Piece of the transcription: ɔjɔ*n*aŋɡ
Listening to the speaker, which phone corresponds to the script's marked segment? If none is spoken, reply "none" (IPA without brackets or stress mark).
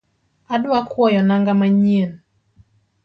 n